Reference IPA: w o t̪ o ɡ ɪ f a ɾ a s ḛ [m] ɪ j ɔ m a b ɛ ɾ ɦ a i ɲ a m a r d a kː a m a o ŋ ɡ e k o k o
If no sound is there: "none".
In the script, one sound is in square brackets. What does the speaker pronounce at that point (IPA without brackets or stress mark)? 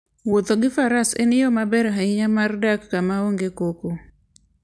n